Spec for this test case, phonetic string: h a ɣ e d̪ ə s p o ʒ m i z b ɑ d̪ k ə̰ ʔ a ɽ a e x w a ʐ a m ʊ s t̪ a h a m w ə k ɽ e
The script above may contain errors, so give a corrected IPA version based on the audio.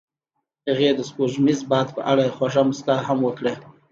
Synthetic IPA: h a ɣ e d̪ ə s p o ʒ m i z b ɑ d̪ p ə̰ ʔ a ɽ a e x w a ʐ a m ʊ s t̪ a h a m w ə k ɽ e